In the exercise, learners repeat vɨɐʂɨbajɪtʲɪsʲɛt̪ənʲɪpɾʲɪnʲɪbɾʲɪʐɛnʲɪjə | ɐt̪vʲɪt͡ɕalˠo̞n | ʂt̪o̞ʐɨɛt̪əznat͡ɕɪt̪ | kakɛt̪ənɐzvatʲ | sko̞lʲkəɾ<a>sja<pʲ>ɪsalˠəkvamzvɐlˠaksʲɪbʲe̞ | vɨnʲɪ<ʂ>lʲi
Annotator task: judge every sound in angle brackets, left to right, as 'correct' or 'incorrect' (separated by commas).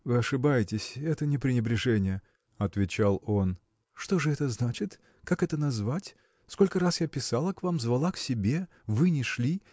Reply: correct, correct, correct